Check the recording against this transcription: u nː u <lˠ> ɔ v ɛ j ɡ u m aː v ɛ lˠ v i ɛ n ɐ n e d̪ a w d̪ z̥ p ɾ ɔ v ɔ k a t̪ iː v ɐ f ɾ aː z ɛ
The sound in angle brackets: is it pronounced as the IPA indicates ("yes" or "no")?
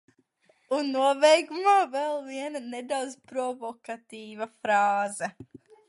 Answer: no